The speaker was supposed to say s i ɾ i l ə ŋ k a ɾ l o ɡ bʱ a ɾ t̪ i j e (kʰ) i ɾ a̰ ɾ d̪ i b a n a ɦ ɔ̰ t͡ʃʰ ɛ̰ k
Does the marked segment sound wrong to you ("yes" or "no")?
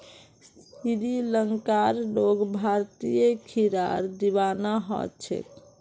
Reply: no